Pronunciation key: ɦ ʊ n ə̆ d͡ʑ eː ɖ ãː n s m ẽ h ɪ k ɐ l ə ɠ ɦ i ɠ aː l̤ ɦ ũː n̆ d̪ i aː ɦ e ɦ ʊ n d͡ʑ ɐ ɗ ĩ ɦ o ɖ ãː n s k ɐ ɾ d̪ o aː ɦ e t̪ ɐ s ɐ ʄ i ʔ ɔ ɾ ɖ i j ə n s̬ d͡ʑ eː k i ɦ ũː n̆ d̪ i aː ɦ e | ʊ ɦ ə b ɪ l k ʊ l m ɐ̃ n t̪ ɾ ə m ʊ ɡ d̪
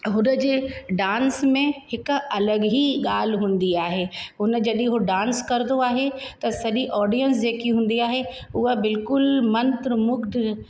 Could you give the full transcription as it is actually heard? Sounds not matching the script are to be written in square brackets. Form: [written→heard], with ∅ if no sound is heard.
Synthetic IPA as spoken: ɦ ʊ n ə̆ d͡ʑ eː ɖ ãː n s m ẽ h ɪ k ɐ l ə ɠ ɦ i ɠ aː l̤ ɦ ũː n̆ d̪ i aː ɦ e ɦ ʊ n d͡ʑ ɐ ɗ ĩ ɦ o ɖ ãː n s k ɐ ɾ d̪ o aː ɦ e t̪ ɐ s ɐ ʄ i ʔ [ɔ→ɔː] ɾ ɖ i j ə n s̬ d͡ʑ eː k i ɦ ũː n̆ d̪ i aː ɦ e | ʊ ɦ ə b ɪ l k ʊ l m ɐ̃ n t̪ ɾ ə m ʊ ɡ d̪